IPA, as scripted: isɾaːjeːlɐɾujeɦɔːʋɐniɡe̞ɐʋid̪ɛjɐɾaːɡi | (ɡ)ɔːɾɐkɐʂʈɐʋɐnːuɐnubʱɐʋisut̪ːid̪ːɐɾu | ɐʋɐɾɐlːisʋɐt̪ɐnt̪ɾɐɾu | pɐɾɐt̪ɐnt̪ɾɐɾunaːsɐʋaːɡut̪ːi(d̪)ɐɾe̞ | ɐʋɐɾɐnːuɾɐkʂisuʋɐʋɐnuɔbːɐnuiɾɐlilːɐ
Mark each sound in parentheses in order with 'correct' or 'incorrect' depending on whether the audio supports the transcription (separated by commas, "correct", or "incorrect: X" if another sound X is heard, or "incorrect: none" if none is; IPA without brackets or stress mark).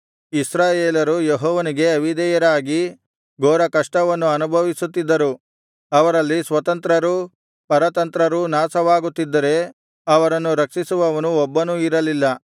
correct, incorrect: d̪ː